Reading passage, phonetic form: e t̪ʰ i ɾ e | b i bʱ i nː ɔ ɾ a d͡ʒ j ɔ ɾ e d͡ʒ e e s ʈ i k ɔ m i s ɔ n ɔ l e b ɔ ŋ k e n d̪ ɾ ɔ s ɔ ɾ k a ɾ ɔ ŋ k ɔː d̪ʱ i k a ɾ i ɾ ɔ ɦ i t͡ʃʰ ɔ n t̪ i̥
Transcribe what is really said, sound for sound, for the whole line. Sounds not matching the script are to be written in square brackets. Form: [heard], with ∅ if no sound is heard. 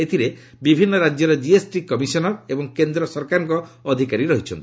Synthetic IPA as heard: e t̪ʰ i ɾ e | b i bʱ i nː ɔ ɾ a d͡ʒ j ɔ ɾ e d͡ʒ [i] e s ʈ i k ɔ m i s ɔ n ɔ [ɾ] e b ɔ ŋ k e n d̪ ɾ ɔ s ɔ ɾ k a ɾ ɔ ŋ k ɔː d̪ʱ i k a ɾ i ɾ ɔ ɦ i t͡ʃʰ ɔ n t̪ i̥